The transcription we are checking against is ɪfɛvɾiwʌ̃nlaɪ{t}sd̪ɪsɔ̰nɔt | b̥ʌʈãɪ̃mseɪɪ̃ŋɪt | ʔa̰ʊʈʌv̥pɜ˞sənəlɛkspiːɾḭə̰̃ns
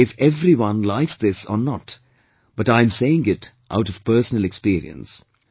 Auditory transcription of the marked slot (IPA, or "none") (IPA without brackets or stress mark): k